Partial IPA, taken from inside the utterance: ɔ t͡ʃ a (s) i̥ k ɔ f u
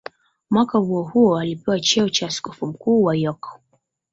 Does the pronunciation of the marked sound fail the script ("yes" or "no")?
no